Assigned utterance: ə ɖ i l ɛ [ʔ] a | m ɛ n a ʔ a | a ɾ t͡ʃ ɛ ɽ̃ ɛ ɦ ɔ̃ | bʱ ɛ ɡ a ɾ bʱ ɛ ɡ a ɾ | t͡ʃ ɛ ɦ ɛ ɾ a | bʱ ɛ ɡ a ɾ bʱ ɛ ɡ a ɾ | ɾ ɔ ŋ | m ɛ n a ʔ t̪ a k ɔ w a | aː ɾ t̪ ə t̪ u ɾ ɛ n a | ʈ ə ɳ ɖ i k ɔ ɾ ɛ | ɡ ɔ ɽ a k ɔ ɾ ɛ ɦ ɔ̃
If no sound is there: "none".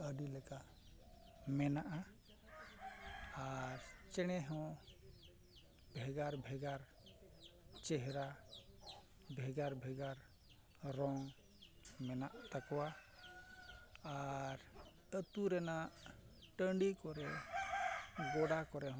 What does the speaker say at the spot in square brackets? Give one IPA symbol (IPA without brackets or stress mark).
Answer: k